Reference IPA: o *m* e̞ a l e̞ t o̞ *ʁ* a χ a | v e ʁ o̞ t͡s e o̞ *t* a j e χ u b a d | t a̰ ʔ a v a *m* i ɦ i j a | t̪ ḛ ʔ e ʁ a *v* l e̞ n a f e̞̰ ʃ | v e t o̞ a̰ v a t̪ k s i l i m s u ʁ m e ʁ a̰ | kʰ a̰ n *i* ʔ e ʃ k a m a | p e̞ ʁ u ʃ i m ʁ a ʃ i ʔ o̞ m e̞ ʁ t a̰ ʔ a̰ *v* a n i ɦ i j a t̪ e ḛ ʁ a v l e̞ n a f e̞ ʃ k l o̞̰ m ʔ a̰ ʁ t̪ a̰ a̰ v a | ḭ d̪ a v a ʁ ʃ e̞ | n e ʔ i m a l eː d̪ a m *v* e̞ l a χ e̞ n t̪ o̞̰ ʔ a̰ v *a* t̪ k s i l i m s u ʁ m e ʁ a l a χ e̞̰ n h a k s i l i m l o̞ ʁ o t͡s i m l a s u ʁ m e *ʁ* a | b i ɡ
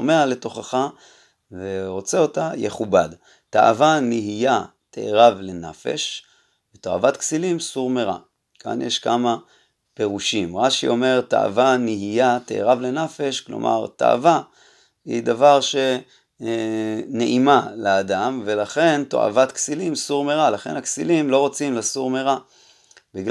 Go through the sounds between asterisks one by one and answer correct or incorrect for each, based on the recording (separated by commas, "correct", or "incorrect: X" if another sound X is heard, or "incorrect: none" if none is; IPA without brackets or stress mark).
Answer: correct, incorrect: χ, correct, incorrect: n, correct, incorrect: j, correct, correct, correct, correct